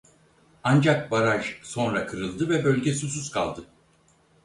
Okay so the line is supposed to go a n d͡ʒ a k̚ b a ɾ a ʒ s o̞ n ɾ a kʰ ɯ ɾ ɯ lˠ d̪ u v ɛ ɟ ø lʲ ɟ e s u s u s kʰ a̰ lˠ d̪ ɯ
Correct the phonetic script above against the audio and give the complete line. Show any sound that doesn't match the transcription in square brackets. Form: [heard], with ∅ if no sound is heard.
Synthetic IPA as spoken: a n d͡ʒ a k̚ b a ɾ a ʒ s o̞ n ɾ a kʰ ɯ ɾ ɯ lˠ d̪ [ɯ] v ɛ [b] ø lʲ ɟ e s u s u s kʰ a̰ lˠ d̪ ɯ